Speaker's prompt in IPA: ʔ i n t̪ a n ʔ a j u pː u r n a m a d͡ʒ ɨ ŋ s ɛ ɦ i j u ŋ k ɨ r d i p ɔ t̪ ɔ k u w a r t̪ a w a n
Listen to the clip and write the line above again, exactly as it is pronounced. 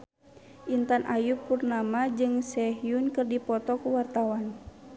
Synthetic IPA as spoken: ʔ i n t̪ a n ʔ a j u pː u r n a m a d͡ʒ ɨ ŋ s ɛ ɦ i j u n k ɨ r d i p ɔ t̪ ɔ k u w a r t̪ a w a n